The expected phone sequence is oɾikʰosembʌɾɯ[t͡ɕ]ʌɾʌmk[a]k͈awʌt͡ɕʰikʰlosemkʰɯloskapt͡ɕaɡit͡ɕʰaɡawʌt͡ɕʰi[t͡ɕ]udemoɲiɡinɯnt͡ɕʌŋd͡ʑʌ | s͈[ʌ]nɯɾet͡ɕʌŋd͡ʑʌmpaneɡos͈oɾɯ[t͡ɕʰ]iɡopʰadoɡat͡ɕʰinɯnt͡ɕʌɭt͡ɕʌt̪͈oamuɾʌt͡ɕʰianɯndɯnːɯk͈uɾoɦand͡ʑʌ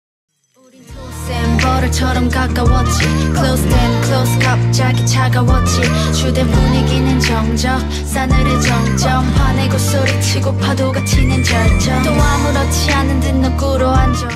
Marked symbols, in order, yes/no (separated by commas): no, yes, yes, no, yes